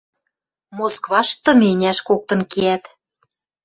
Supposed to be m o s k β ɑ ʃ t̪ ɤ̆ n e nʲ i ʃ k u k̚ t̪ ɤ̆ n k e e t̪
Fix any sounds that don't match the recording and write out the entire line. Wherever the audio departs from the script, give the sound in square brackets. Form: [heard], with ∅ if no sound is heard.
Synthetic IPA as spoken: m o s k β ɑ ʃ t̪ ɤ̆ [m] e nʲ [æ] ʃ k [o] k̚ t̪ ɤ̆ n k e [æ] t̪